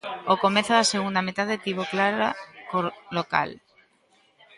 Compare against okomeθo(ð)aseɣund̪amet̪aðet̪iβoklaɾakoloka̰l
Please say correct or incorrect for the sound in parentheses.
correct